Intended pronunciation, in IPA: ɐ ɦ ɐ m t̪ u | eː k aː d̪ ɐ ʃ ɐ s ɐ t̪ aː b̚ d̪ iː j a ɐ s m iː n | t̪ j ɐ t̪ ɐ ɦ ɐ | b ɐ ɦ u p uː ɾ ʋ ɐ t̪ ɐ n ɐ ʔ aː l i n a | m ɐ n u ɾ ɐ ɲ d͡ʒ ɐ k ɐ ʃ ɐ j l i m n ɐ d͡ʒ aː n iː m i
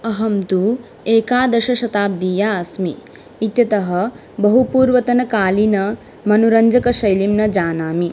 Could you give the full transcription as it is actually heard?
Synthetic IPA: ɐ ɦ ɐ m t̪ u | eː k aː d̪ ɐ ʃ ɐ ʃ ɐ t̪ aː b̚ d̪ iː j a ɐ s m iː | t̪ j ɐ t̪ ɐ ɦ ɐ | b ɐ ɦ u p uː ɾ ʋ ɐ t̪ ɐ n ɐ k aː l i n ɐ | m ɐ n u ɾ ɐ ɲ d͡ʒ ɐ k ɐ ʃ ɐ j l i m n ɐ d͡ʒ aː n aː m i